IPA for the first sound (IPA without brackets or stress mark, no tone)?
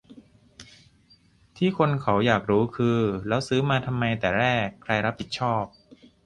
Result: t̪ʰ